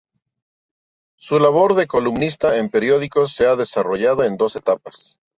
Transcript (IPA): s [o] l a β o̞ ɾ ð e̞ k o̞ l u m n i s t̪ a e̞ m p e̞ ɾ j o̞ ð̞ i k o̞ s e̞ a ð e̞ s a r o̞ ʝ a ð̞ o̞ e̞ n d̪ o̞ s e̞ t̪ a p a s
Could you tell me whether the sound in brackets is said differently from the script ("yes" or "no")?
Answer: yes